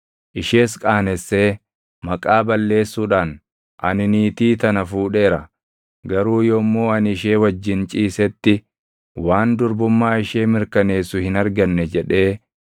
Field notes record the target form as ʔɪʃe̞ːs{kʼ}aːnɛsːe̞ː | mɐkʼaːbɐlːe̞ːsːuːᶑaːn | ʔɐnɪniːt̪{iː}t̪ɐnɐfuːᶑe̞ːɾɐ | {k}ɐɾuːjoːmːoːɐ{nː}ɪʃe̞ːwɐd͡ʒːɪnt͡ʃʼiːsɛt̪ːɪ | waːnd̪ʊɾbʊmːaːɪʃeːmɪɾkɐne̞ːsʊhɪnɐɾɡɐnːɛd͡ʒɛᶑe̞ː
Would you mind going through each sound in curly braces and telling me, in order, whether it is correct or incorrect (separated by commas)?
correct, correct, incorrect, incorrect